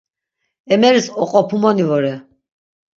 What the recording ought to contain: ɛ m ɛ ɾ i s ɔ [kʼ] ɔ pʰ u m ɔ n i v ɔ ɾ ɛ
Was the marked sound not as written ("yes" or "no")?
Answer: yes